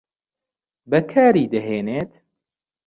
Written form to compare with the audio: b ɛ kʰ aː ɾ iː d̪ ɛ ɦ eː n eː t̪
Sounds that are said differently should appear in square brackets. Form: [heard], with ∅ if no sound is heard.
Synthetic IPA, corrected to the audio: b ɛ kʰ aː ɾ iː d̪ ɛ ɦ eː n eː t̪